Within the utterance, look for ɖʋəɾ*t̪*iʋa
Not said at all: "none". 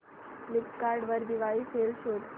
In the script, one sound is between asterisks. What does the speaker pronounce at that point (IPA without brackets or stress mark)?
d̪